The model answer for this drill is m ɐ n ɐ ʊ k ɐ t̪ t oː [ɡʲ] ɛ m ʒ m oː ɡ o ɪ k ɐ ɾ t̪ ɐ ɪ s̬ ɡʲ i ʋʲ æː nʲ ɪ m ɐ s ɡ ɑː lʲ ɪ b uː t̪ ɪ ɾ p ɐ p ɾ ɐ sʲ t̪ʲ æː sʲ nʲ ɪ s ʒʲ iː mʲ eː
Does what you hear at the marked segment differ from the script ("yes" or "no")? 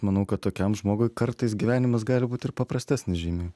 yes